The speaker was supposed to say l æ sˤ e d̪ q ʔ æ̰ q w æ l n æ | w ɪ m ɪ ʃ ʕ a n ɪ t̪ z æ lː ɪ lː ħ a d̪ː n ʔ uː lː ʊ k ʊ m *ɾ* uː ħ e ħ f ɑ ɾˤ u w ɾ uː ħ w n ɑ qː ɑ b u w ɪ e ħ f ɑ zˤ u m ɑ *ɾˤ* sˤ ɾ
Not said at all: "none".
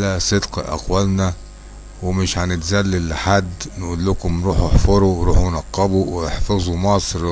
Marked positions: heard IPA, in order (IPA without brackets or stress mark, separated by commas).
ɾ, none